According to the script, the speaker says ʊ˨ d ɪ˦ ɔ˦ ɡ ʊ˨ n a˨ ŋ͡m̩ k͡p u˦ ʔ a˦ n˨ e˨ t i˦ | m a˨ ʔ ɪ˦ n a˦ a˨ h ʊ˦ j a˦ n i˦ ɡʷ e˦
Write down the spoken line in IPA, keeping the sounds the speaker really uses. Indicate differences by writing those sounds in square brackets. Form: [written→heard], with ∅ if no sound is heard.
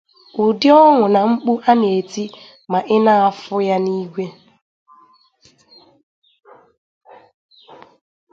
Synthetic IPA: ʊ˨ d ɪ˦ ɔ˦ [ɡ→ŋ] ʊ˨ n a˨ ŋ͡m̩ k͡p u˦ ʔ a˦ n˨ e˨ t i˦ | m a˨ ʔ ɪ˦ n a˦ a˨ [h→f] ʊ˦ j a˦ n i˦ ɡʷ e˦